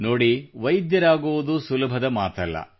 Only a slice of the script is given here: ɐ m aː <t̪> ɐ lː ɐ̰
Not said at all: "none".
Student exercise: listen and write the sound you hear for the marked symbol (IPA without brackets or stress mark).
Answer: t̪